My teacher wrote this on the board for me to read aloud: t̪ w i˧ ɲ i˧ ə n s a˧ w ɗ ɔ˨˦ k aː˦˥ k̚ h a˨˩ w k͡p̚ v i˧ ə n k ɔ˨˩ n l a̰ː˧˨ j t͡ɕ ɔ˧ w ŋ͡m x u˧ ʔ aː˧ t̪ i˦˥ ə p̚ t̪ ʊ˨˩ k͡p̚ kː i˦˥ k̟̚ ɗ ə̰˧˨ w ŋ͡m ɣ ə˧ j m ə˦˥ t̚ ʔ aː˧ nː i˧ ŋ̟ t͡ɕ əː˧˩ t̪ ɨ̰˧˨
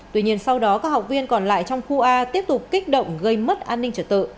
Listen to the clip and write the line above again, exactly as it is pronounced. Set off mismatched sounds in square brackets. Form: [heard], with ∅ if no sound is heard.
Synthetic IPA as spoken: t̪ w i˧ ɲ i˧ ə n s a˧ w ɗ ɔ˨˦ k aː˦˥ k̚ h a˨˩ w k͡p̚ v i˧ ə n k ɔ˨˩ n l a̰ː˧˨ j t͡ɕ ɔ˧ w ŋ͡m x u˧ ʔ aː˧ t̪ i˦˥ ə p̚ t̪ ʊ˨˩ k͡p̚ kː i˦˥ k̟̚ ɗ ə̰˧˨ w ŋ͡m ɣ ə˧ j m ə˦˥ t̚ ʔ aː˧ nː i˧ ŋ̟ t͡ɕ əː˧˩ t̪ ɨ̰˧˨

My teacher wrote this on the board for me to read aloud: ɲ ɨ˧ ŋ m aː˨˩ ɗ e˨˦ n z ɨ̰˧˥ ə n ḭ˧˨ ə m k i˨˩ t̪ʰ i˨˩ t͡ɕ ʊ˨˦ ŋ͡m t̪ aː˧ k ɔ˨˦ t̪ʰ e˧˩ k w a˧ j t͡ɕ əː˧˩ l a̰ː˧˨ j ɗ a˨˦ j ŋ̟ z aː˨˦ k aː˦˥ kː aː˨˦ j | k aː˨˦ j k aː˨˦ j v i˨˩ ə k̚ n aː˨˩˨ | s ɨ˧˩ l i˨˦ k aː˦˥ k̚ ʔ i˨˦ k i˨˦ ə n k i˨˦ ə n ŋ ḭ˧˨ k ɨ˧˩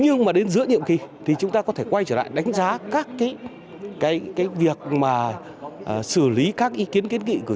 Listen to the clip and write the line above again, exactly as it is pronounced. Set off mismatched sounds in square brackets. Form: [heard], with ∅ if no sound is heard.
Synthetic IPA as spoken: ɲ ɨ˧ ŋ m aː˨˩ ɗ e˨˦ n z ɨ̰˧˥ ə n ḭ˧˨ ə m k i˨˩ t̪ʰ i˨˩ t͡ɕ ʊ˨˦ ŋ͡m t̪ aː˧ k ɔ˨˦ t̪ʰ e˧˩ k w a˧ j t͡ɕ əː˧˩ l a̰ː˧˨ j ɗ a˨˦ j ŋ̟ z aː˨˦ k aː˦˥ kː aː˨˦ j | k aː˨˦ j k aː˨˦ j v i˨˩ ə k̚ [m] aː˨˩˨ | s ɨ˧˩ l i˨˦ k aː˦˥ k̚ ʔ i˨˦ k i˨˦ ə n k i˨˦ ə n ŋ ḭ˧˨ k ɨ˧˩

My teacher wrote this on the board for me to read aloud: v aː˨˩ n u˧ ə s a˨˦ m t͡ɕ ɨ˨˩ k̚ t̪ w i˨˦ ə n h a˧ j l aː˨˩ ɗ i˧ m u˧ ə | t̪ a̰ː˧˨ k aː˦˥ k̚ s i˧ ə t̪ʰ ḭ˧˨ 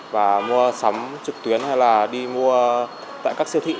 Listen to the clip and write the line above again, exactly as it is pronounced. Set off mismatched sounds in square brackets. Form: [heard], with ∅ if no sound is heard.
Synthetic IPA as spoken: v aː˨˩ [m] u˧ ə s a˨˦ m t͡ɕ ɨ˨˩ k̚ t̪ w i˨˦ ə n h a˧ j l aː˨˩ ɗ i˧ m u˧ ə | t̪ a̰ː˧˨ k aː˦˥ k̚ s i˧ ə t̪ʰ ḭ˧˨

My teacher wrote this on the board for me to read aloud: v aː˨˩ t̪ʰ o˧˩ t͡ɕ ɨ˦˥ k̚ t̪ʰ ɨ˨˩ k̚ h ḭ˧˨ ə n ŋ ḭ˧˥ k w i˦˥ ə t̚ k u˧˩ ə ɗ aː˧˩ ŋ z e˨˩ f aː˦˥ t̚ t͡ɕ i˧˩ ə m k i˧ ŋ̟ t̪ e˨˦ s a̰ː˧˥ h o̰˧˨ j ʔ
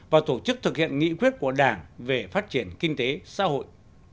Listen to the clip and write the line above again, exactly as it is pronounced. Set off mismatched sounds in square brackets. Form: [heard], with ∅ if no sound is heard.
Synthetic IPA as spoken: v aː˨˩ [t̪] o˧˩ t͡ɕ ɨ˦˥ k̚ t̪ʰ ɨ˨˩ k̚ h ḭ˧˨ ə n ŋ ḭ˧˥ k w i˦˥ ə t̚ k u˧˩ ə ɗ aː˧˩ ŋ [v] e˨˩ f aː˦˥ t̚ t͡ɕ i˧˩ ə [n] k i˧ ŋ̟ t̪ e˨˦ s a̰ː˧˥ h o̰˧˨ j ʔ

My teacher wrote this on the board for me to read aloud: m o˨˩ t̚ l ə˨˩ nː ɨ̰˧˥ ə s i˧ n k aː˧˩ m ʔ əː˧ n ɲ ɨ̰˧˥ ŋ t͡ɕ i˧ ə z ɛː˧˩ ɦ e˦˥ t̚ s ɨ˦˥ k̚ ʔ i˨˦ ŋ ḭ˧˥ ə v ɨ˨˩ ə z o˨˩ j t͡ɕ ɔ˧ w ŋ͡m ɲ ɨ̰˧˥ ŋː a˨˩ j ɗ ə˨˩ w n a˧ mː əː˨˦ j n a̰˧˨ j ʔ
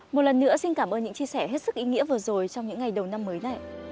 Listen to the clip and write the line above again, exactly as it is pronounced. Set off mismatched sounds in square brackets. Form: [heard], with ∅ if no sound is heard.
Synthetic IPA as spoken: m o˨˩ t̚ l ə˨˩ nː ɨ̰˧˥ ə s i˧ n k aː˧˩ m ʔ əː˧ n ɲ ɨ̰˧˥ ŋ t͡ɕ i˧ ə [s] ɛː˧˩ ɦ e˦˥ t̚ s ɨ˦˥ k̚ ʔ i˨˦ ŋ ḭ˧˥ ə v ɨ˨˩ ə z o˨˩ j t͡ɕ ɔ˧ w ŋ͡m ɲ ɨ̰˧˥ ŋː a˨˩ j ɗ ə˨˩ w n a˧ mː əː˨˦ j n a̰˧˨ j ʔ

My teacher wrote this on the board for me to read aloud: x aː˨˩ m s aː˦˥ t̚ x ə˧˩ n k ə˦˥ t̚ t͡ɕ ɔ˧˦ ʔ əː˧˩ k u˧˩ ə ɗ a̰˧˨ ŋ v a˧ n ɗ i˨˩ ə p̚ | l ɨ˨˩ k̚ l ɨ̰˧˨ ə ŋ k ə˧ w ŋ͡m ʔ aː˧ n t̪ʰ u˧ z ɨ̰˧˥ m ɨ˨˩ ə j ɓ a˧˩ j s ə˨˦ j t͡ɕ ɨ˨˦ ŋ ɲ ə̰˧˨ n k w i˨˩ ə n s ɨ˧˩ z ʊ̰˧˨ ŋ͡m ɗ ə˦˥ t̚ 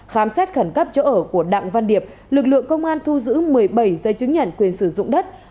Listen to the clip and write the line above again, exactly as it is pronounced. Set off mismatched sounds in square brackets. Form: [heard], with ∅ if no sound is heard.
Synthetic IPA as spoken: x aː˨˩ m s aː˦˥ t̚ x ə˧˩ n k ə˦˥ [p̚] t͡ɕ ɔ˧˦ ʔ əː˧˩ k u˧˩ ə ɗ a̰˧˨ ŋ v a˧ n ɗ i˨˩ ə p̚ | l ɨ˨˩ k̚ l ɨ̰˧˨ ə ŋ k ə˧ w ŋ͡m ʔ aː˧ n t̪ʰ u˧ z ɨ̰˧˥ m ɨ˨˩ ə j ɓ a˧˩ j [z] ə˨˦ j t͡ɕ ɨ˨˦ ŋ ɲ ə̰˧˨ n k w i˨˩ ə n s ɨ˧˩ z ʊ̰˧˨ ŋ͡m ɗ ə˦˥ t̚

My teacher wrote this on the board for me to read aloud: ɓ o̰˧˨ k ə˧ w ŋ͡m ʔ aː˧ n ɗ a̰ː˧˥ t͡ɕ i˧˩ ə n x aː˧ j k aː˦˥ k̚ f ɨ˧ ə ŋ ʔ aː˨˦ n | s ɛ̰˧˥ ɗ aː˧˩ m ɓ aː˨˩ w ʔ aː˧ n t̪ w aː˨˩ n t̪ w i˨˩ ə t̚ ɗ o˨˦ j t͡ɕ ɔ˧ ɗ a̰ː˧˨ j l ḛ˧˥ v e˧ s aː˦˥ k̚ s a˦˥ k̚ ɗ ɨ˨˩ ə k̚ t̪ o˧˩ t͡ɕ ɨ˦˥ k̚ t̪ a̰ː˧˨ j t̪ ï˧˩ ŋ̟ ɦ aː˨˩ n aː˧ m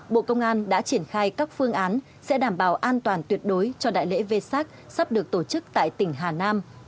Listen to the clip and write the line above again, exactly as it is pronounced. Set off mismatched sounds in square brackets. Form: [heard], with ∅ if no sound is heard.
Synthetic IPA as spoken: ɓ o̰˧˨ k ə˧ w ŋ͡m ʔ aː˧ n ɗ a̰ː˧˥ t͡ɕ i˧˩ ə n x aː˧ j k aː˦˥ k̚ f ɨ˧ ə ŋ ʔ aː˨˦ n | s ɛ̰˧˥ ɗ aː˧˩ m ɓ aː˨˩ w ʔ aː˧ n t̪ w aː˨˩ n t̪ w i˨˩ ə t̚ ɗ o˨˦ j t͡ɕ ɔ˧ ɗ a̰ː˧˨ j l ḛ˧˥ v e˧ s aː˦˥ k̚ s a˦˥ [p̚] ɗ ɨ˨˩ ə k̚ t̪ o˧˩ t͡ɕ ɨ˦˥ k̚ t̪ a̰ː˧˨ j t̪ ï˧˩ ŋ̟ ɦ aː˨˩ n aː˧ m

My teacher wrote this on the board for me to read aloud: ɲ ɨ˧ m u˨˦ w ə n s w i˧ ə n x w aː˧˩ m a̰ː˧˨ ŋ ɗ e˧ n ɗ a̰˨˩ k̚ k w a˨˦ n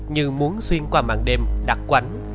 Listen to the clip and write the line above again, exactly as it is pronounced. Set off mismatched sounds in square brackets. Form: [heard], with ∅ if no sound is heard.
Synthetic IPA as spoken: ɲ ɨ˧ m u˨˦ [∅] ə n s w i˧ ə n [k] w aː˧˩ m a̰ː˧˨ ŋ ɗ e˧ [m] ɗ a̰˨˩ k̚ k w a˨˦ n

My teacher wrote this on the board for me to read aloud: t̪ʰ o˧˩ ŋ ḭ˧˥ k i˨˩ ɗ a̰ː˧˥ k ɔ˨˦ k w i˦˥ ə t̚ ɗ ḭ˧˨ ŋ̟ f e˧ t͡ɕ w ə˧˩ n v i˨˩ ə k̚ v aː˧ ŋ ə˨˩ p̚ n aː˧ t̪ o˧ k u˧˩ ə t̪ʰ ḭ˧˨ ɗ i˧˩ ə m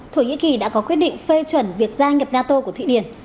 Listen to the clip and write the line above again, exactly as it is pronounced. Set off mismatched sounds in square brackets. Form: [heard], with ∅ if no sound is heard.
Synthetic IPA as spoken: t̪ʰ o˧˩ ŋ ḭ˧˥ k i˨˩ ɗ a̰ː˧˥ k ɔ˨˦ k w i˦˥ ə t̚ ɗ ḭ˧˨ ŋ̟ f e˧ t͡ɕ w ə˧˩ n v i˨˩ ə k̚ [z] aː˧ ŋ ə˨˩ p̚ n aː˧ t̪ o˧ k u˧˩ ə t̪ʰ ḭ˧˨ ɗ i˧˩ ə [n]

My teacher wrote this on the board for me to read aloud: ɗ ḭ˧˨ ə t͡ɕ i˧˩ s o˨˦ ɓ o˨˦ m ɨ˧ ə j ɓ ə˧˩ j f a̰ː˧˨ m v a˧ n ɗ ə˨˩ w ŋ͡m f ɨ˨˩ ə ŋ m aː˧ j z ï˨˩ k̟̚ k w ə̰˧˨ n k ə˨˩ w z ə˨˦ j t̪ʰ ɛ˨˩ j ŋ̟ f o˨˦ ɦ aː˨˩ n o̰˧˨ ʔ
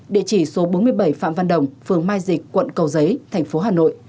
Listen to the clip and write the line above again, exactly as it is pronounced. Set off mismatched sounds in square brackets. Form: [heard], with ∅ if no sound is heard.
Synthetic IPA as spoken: ɗ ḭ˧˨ ə t͡ɕ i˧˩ s o˨˦ ɓ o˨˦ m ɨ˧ ə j ɓ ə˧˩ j f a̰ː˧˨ m v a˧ n ɗ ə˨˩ w ŋ͡m f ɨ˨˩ ə ŋ m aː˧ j z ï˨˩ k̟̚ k w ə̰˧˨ n k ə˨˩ w z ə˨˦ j t̪ʰ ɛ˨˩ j ŋ̟ f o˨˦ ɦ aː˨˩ n o̰˧˨ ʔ

